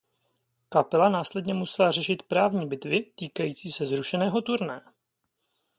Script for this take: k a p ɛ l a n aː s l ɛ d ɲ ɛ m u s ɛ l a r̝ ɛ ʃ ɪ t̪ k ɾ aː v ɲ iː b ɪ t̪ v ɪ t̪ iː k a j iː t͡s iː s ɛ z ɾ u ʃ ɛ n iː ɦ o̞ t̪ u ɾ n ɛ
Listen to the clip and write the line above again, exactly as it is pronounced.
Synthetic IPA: k a p ɛ l a n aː s l ɛ d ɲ ɛ m u s ɛ l a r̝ ɛ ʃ ɪ t̪ p ɾ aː v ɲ iː b ɪ t̪ v ɪ t̪ iː k a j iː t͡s iː s ɛ z ɾ u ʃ ɛ n ɛː ɦ o̞ t̪ u ɾ n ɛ

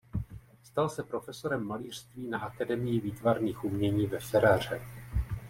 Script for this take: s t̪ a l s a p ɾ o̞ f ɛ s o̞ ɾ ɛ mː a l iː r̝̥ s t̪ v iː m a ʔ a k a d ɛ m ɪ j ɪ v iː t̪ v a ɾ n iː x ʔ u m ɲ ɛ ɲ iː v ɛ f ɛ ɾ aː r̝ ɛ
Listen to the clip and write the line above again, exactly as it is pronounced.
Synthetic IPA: s t̪ a l s ɛ p ɾ o̞ f ɛ s o̞ ɾ ɛ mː a l iː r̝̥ s t̪ v iː n a ʔ a k a d ɛ m ɪ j ɪ v iː t̪ v a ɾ n iː x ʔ u m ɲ ɛ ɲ iː v ɛ f ɛ ɾ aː r̝ ɛ

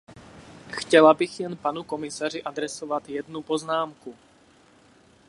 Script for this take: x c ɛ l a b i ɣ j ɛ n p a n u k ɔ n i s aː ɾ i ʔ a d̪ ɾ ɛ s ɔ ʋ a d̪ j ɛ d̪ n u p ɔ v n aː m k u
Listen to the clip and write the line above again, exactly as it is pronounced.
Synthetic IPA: x c ɛ l a b i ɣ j ɛ n p a n u k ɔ m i s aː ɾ i ʔ a d̪ ɾ ɛ s ɔ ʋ a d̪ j ɛ d̪ n u p ɔ z n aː m k u

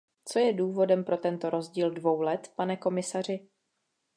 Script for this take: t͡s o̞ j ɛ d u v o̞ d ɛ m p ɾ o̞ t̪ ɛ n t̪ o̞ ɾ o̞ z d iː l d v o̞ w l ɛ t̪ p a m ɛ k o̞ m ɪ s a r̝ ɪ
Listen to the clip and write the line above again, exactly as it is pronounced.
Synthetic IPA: t͡s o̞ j ɛ d uː v o̞ d ɛ m p ɾ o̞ t̪ ɛ n t̪ o̞ ɾ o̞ z ɟ iː l d v o̞ w l ɛ t̪ p a n ɛ k o̞ m ɪ s a r̝ ɪ

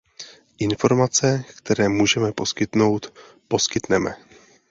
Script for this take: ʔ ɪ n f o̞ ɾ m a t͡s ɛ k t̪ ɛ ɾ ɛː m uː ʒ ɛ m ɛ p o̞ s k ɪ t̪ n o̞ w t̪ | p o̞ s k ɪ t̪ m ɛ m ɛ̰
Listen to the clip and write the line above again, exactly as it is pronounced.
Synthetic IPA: ʔ ɪ n f o̞ ɾ m a t͡s ɛ k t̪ ɛ ɾ ɛː m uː ʒ ɛ m ɛ p o̞ s k ɪ t̪ n o̞ w t̪ | p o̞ s k ɪ t̪ n ɛ m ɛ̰

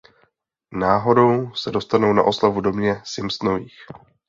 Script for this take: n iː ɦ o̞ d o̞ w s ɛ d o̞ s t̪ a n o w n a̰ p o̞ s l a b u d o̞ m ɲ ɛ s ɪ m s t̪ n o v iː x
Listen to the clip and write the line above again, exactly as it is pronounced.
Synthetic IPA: n aː ɦ o̞ d o̞ w s ɛ d o̞ s t̪ a n o w n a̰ ʔ o̞ s l a v u d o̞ m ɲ ɛ s ɪ m s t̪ n o v iː x

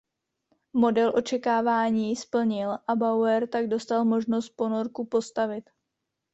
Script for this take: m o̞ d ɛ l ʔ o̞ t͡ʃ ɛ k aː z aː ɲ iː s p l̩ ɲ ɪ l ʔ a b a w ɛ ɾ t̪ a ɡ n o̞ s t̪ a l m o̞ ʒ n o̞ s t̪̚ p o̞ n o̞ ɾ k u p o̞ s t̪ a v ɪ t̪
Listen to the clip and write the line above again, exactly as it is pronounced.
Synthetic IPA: m o̞ d ɛ l ʔ o̞ t͡ʃ ɛ k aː v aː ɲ iː s p l̩ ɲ ɪ l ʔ a b a w ɛ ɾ t̪ a ɡ d o̞ s t̪ a l m o̞ ʒ n o̞ s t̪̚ p o̞ n o̞ ɾ k u p o̞ s t̪ a v ɪ t̪

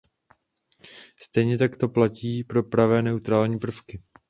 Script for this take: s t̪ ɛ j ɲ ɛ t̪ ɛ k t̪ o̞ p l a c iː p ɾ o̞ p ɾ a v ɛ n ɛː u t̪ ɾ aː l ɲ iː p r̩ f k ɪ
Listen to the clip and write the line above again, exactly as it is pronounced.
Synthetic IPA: s t̪ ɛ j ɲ ɛ t̪ a k t̪ o̞ p l a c iː p ɾ o̞ p ɾ a v ɛː n ɛ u t̪ ɾ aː l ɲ iː p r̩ f k ɪ

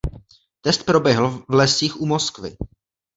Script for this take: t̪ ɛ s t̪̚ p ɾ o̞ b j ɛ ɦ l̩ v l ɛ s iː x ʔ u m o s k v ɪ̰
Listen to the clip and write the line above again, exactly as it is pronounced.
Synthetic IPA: t̪ ɛ s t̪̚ p ɾ o̞ b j ɛ ɦ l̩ v l ɛ s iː x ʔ u m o s k v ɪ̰

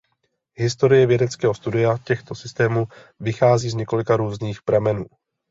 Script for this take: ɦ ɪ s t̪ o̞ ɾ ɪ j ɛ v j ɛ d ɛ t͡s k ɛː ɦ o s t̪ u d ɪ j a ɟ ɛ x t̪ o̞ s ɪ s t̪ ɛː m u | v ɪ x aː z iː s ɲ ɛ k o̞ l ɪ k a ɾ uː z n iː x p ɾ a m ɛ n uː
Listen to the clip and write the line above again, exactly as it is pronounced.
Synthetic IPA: ɦ ɪ s t̪ o̞ ɾ ɪ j ɛ v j ɛ d ɛ t͡s k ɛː ɦ o s t̪ u d ɪ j a c ɛ x t̪ o̞ s ɪ s t̪ ɛː m u | v ɪ x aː z iː z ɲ ɛ k o̞ l ɪ k a ɾ uː z n iː x p ɾ a m ɛ n uː

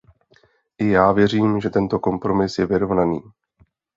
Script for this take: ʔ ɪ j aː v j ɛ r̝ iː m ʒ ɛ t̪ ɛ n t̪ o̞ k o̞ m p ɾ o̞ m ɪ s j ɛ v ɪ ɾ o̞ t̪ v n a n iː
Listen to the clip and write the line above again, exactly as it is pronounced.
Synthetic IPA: ʔ ɪ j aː v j ɛ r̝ iː m ʒ ɛ t̪ ɛ n t̪ o̞ k o̞ m p ɾ o̞ m ɪ s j ɛ v ɪ ɾ o̞ v n a n iː

